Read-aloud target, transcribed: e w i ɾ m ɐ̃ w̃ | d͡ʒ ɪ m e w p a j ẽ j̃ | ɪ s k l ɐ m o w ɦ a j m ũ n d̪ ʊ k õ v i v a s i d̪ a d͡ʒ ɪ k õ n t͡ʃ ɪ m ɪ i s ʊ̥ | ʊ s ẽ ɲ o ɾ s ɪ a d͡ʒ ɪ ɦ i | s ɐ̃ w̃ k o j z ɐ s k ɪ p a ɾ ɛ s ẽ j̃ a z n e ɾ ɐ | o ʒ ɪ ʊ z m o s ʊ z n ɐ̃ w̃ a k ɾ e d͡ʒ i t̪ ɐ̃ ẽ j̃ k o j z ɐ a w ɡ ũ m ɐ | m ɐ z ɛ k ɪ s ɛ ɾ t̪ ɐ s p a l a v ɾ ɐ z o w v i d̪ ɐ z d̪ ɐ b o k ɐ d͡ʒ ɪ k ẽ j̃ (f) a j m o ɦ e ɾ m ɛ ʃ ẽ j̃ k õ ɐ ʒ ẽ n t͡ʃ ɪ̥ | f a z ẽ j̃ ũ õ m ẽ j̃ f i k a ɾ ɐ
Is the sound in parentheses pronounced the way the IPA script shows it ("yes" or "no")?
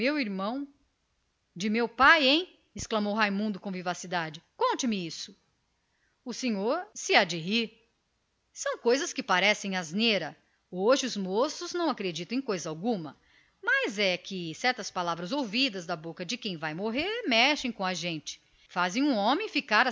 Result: no